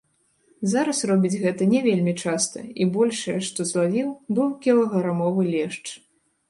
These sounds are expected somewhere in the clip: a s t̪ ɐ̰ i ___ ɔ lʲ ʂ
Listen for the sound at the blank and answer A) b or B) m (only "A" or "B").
A